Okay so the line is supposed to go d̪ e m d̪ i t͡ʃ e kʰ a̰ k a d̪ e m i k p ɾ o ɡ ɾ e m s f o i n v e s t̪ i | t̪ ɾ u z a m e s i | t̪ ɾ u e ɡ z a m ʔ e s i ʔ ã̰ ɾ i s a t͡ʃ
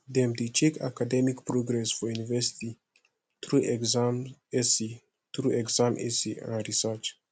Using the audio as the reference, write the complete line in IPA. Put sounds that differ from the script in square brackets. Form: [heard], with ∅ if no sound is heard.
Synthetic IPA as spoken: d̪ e m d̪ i t͡ʃ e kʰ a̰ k a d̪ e m i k p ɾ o ɡ ɾ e [∅] s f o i n v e s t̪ i | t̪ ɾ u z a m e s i | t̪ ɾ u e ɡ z a m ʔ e s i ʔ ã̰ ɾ i s a t͡ʃ